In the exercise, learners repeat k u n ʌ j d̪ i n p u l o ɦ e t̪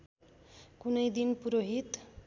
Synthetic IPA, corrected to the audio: k u n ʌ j d̪ i n p u ɾ o ɦ i t̪